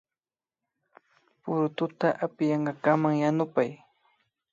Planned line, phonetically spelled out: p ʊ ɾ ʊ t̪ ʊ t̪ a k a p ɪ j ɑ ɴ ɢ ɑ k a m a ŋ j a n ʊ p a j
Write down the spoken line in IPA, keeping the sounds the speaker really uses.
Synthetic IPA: p ʊ ɾ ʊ t̪ ʊ t̪ a ʔ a p ɪ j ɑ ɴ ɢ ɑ k a m a ŋ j a n ʊ p a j

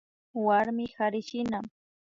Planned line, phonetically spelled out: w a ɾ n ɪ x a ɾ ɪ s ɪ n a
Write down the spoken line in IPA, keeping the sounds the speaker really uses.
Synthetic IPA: w a ɾ m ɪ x a ɾ ɪ ʃ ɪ n a

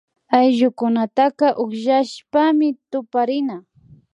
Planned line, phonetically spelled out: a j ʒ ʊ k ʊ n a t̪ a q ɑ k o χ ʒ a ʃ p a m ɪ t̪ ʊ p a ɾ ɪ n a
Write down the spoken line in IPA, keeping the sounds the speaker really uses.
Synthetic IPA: a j ʒ ʊ k ʊ n a t̪ a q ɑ ʔ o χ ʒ a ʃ p a m ɪ t̪ ʊ p a ɾ ɪ n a

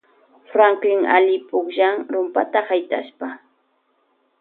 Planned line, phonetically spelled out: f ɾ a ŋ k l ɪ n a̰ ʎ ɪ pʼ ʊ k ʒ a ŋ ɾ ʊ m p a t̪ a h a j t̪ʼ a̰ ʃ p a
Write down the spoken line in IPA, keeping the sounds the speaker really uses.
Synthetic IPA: f ɾ a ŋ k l ɪ ŋ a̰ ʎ ɪ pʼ ʊ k ʒ a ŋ ɾ ʊ m p a t̪ a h a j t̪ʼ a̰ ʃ p a

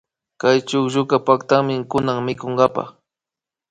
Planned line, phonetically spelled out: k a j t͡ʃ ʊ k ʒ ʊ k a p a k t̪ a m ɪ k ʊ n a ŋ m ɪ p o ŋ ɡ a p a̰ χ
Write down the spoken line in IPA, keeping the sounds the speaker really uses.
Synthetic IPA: k a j t͡ʃ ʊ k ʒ ʊ k a p a k t̪ a m ɪ k ʊ n a ŋ m ɪ k o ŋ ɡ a p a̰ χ

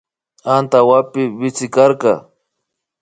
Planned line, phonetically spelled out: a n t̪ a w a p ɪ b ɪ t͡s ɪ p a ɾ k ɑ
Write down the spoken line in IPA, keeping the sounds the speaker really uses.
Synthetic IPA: a n t̪ a w a p ɪ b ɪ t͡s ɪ k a ɾ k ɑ

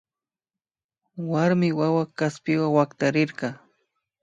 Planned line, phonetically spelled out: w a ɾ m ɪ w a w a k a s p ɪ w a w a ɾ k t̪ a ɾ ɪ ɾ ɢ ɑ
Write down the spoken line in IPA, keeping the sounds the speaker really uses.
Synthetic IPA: w a ɾ m ɪ w a w a k a s p ɪ w a w a k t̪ a ɾ ɪ ɾ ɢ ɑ

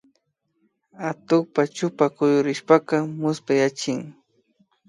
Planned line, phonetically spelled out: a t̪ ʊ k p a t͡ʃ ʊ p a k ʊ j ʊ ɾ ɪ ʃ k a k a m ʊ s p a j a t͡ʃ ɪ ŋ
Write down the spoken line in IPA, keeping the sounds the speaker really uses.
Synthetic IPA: a t̪ ʊ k p a t͡ʃ ʊ p a k ʊ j ʊ ɾ ɪ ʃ p a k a m ʊ s p a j a t͡ʃ ɪ ŋ

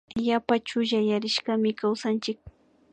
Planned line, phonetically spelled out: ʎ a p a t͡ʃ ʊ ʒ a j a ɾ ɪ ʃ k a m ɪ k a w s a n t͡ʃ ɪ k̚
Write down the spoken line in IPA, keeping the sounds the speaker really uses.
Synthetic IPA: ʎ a p a t͡ʃ ʊ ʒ a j a ɾ ɪ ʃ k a m ɪ k a w s a n t͡ʃ ɪ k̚

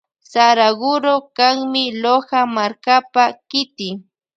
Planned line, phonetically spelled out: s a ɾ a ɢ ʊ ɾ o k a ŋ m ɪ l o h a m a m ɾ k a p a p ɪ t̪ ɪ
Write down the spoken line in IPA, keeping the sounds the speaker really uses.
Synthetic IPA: s a ɾ a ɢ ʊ ɾ o k a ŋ m ɪ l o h a m a ɾ k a p a k ɪ t̪ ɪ

